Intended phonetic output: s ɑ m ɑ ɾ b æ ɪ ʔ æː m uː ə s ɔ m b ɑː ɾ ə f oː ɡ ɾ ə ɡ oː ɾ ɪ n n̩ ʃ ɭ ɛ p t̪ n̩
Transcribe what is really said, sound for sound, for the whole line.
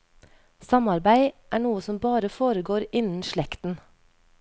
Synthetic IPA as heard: s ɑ m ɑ ɾ b æ ɪ ʔ æː ɳ uː ə s ɔ m b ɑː ɾ ə f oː ɾ ə ɡ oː ɾ ɪ n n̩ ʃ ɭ ɛ k t̪ n̩